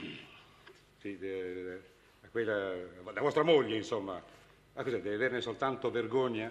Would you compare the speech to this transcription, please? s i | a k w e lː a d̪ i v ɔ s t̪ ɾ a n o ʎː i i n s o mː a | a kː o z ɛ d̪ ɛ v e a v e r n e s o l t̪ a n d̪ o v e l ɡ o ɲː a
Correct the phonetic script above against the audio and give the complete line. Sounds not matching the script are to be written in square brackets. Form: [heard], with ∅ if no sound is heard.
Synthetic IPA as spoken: s i | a k w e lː a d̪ [a] v ɔ s t̪ ɾ a [m] o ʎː [e] i n s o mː a | a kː o z ɛ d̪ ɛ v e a v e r n e s o l t̪ a n [t̪] o v e [r] ɡ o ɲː a